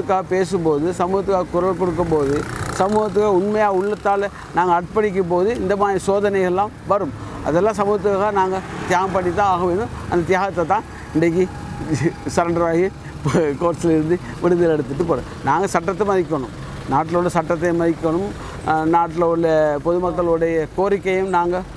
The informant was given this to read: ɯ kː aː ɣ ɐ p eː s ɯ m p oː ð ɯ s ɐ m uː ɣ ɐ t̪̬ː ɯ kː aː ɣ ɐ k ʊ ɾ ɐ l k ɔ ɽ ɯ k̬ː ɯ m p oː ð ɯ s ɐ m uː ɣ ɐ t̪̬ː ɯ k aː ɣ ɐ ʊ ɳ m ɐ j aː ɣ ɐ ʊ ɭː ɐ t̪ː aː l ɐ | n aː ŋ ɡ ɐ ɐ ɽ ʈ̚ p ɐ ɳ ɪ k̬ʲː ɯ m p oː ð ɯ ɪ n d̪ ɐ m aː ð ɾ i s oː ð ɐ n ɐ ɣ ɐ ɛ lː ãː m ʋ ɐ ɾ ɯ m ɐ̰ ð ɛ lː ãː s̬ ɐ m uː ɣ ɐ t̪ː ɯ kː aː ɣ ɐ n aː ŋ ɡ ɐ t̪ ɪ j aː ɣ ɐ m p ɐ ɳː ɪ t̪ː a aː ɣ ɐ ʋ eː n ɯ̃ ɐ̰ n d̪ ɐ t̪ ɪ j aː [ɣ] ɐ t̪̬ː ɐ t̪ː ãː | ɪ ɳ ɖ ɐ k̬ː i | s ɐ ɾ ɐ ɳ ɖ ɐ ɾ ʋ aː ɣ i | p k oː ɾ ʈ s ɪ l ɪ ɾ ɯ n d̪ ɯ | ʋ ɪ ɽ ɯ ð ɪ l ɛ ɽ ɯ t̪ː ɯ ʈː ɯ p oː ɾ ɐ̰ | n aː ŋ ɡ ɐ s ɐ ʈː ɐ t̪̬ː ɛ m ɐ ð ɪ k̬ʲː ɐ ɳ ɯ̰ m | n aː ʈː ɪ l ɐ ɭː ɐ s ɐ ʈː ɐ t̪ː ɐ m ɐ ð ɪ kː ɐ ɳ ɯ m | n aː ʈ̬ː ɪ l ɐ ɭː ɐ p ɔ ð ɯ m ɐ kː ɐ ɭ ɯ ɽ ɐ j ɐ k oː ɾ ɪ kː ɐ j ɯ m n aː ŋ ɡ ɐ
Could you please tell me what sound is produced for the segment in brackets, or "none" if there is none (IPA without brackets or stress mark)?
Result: ɣ